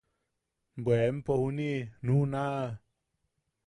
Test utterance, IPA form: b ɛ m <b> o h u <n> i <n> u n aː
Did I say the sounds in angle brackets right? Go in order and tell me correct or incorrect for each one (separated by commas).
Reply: incorrect, correct, correct